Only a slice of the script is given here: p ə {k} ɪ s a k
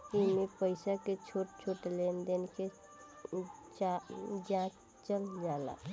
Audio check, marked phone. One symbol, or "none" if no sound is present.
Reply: none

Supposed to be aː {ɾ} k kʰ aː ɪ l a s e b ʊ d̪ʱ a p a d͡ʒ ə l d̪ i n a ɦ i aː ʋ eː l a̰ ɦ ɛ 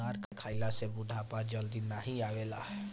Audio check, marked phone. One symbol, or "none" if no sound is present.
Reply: ɾ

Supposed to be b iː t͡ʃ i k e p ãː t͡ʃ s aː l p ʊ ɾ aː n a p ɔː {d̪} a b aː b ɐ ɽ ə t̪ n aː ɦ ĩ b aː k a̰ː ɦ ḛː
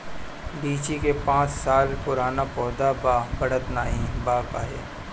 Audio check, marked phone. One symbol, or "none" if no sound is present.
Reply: d̪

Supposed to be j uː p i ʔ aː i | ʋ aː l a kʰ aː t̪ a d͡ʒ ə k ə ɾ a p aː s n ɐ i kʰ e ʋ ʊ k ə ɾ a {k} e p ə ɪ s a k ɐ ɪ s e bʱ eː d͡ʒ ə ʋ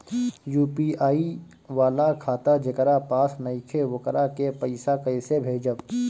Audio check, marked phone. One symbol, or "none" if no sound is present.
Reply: k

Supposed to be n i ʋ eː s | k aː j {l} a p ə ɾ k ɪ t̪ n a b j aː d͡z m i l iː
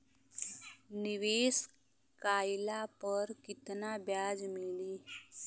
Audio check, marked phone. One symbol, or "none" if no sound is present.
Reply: l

